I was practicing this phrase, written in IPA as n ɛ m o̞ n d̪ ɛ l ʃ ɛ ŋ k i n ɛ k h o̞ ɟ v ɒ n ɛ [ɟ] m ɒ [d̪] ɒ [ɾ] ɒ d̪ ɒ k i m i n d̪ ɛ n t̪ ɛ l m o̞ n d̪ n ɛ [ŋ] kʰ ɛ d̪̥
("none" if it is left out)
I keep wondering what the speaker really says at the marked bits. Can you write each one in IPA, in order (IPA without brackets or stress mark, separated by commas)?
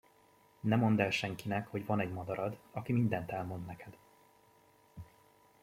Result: ɟ, d̪, ɾ, none